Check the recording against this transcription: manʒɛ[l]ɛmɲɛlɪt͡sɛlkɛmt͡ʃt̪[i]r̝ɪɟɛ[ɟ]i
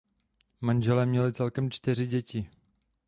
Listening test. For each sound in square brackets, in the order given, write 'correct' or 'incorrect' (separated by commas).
correct, incorrect, incorrect